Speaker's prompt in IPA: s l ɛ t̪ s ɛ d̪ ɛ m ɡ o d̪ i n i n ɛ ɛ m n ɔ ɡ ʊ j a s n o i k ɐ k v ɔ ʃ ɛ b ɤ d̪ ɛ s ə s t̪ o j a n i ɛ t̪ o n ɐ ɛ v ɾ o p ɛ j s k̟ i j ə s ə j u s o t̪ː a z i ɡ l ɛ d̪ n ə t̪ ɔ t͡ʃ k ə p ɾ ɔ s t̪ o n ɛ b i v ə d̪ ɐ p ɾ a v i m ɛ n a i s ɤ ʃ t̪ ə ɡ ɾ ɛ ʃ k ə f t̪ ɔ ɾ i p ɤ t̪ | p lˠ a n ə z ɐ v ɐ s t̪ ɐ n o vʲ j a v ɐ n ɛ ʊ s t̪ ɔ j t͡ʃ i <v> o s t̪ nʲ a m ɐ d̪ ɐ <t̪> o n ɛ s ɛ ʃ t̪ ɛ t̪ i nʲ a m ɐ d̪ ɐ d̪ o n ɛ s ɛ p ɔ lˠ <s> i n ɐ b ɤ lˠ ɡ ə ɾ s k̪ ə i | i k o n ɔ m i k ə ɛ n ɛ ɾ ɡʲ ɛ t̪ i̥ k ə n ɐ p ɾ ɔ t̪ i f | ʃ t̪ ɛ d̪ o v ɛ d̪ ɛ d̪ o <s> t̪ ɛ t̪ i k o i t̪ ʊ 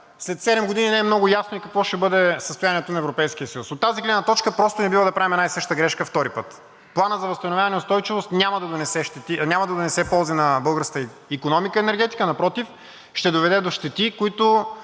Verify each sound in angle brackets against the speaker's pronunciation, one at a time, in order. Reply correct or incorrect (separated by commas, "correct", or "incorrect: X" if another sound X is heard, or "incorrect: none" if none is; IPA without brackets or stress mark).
correct, incorrect: d̪, incorrect: z, incorrect: ʃ